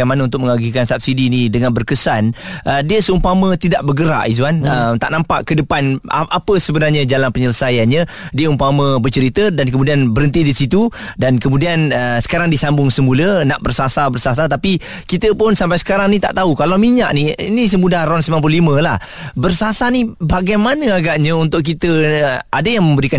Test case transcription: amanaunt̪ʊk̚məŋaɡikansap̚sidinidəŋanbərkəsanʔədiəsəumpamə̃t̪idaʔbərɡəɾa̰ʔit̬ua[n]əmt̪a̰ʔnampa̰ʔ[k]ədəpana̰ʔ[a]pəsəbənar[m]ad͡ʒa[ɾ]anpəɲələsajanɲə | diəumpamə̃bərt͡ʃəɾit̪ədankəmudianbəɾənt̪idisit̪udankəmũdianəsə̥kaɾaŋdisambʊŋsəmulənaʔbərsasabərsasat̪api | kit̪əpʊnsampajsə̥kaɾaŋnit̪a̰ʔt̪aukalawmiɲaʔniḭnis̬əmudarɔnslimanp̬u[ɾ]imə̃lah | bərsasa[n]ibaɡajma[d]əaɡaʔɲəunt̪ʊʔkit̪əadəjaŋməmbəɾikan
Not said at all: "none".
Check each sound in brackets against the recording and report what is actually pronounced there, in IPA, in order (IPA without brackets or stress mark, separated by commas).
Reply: n, k, a, ɲ, l, l, n, n